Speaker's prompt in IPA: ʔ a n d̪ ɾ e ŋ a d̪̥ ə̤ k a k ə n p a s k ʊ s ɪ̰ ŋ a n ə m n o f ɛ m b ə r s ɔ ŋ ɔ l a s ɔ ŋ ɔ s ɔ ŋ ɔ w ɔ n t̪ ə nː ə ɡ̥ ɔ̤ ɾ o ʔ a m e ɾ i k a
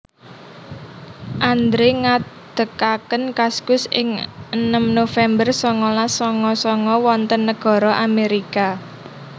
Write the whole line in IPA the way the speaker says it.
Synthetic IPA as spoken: ʔ a n d̪ ɾ e ŋ a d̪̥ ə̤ k a k ə n k a s k ʊ s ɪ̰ ŋ ə n ə m n o f ɛ m b ə r s ɔ ŋ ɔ l a s ɔ ŋ ɔ s ɔ ŋ ɔ w ɔ n t̪ ə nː ə ɡ̥ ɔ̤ ɾ ɔ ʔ a m e ɾ i k a